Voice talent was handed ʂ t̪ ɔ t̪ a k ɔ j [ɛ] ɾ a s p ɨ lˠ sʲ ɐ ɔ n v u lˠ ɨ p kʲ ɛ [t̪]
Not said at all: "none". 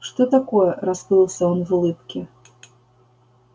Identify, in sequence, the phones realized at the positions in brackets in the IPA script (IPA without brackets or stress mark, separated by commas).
ɛ, none